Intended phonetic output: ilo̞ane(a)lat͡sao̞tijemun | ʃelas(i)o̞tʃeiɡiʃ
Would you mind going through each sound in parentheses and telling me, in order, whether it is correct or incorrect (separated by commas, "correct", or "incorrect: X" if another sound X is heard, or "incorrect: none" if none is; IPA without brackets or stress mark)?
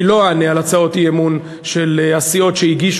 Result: correct, correct